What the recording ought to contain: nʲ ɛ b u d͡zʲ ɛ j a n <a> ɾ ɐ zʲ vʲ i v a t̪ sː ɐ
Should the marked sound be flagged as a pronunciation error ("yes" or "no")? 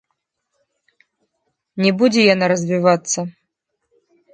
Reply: no